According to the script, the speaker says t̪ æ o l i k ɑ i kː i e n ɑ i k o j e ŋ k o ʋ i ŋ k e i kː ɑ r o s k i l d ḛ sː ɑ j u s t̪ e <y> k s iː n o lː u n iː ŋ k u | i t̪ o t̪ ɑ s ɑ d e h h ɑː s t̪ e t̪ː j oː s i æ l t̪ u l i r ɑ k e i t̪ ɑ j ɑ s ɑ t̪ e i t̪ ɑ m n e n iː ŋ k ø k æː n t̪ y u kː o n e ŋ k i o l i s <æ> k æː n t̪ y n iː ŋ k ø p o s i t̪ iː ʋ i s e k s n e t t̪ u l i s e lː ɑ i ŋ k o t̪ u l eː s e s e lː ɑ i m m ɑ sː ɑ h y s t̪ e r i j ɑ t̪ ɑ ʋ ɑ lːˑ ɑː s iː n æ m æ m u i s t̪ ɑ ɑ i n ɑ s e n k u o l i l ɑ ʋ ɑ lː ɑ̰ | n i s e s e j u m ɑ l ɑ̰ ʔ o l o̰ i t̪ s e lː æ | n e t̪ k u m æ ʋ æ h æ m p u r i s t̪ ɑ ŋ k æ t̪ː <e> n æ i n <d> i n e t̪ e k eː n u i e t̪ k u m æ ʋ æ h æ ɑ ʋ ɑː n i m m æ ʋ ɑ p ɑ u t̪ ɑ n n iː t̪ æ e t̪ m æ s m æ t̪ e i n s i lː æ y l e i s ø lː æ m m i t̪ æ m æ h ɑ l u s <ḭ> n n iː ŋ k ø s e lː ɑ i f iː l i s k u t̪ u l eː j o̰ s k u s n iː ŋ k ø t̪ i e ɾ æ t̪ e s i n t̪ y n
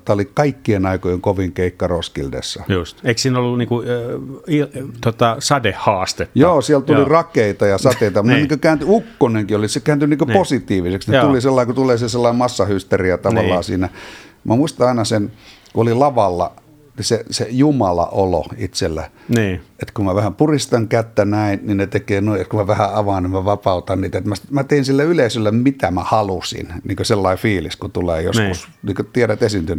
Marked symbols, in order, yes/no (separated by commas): no, no, no, no, yes